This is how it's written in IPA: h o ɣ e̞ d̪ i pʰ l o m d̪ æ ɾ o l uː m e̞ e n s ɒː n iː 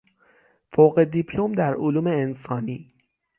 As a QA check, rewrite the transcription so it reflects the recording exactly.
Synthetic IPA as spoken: f o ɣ e̞ d̪ i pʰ l o m d̪ æ ɾ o l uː m e̞ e n s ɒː n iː